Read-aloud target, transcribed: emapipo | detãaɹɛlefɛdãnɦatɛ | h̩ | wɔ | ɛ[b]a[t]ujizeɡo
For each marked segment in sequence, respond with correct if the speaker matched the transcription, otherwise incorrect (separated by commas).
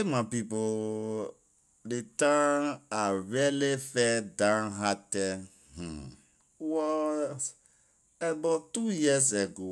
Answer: correct, correct